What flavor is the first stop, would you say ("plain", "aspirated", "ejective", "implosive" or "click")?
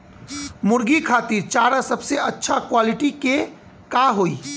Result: plain